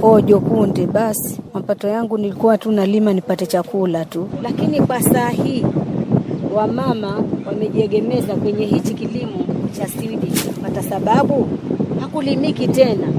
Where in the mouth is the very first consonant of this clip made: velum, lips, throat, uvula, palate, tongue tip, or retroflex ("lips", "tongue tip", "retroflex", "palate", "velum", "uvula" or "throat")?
palate